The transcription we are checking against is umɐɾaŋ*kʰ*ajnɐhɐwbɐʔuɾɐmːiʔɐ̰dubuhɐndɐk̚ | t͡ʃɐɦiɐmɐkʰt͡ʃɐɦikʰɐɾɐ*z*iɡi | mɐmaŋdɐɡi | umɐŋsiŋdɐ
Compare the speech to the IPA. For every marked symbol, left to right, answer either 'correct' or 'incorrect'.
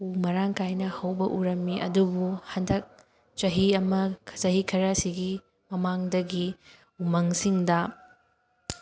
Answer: incorrect, incorrect

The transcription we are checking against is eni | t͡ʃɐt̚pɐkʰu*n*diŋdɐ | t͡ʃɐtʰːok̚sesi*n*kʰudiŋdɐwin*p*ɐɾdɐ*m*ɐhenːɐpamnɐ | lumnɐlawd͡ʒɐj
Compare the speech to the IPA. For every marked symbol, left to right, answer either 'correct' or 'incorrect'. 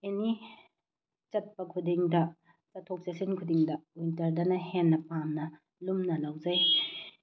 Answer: incorrect, correct, incorrect, incorrect

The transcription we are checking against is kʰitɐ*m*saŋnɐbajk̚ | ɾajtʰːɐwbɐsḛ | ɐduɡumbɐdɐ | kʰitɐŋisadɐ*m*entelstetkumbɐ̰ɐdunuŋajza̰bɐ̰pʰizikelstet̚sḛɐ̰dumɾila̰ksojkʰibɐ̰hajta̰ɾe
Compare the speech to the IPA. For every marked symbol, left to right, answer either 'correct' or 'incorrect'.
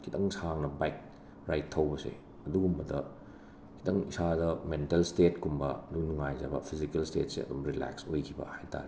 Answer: incorrect, correct

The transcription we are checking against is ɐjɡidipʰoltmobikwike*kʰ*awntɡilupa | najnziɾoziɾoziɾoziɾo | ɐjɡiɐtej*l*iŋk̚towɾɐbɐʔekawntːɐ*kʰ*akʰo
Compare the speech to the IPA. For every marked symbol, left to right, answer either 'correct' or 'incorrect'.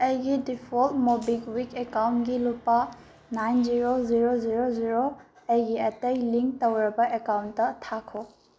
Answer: incorrect, correct, incorrect

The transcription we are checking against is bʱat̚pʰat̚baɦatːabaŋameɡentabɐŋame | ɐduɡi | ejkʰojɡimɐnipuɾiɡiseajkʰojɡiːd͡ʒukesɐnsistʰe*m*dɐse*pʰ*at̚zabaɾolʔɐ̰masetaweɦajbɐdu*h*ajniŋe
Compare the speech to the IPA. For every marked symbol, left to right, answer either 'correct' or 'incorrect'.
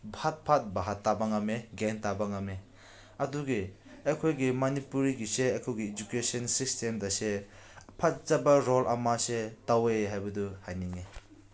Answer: correct, correct, correct

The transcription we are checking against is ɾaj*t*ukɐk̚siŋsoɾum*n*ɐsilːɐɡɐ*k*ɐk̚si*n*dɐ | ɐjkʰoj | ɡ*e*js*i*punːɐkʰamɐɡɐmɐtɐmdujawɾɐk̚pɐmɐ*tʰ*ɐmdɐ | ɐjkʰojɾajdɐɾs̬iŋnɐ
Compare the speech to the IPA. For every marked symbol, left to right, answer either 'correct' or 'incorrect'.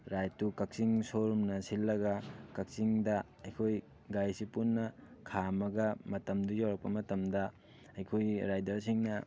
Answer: correct, correct, correct, incorrect, incorrect, correct, incorrect

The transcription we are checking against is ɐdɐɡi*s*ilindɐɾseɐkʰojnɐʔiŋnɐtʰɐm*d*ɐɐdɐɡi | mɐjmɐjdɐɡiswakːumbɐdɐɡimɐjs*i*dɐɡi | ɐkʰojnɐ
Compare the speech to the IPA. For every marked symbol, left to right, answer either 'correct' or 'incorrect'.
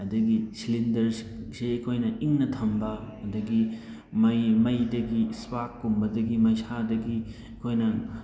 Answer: correct, incorrect, incorrect

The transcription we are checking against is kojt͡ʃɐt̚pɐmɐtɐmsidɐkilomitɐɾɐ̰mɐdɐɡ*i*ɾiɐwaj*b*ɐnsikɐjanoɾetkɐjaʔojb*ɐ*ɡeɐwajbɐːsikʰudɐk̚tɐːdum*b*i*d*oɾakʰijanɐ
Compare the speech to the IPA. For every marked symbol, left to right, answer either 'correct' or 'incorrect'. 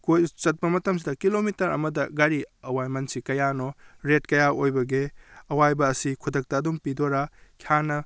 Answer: incorrect, incorrect, correct, incorrect, correct

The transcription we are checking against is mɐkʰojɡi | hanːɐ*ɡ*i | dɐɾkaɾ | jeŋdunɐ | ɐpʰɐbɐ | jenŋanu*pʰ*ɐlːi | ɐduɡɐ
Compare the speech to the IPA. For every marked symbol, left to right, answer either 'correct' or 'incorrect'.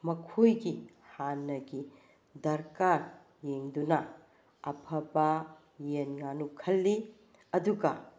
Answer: correct, incorrect

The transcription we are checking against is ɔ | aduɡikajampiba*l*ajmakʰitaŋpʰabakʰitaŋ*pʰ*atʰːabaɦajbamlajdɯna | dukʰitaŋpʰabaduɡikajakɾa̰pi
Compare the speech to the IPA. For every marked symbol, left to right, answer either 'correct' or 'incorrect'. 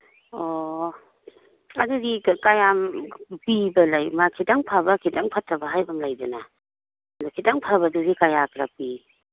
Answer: correct, correct

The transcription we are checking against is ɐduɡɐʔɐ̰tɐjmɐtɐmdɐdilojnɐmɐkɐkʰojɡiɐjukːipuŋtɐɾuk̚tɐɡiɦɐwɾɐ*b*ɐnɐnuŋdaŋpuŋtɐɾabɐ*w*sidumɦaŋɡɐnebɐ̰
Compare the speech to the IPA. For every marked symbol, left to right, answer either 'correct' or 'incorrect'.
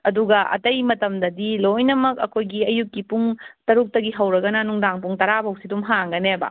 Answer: incorrect, correct

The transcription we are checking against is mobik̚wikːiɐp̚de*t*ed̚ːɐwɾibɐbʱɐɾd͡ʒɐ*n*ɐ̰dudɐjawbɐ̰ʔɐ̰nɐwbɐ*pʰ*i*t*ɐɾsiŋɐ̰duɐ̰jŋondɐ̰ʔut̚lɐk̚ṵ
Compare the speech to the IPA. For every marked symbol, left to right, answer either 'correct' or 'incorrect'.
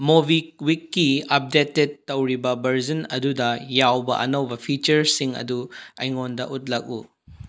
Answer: correct, correct, correct, incorrect

